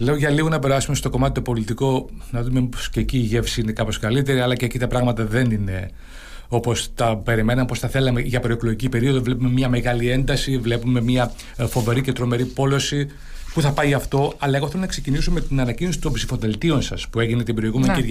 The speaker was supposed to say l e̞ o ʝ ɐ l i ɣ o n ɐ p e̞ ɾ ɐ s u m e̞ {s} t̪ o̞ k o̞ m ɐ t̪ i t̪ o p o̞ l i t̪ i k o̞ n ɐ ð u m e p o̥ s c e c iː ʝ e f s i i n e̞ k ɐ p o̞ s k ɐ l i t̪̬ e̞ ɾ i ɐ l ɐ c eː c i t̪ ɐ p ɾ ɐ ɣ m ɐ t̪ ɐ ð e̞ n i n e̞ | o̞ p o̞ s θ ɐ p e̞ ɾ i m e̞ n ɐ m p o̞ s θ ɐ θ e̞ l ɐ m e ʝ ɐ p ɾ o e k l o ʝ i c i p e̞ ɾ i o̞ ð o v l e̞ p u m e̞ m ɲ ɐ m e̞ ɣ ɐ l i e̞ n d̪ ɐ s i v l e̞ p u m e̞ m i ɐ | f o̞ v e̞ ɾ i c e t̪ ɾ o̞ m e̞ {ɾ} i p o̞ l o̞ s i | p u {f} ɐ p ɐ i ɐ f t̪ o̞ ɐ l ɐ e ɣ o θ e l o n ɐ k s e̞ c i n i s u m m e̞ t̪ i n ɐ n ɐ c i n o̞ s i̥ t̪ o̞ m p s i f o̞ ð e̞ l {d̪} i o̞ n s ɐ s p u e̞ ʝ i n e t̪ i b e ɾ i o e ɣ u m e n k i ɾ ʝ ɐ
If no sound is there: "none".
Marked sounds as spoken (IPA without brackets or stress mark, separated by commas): s, ɾ, θ, t̪